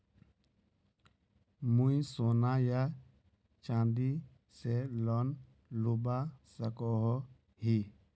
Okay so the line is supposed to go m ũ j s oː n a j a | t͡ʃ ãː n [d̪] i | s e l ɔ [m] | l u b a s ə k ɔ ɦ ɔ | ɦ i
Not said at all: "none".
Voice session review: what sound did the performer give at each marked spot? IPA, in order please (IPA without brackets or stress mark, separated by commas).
d̪, n